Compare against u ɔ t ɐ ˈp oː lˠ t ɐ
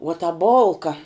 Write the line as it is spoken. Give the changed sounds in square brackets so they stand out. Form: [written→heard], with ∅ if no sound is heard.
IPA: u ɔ t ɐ [ˈp→ˈb] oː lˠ [t→k] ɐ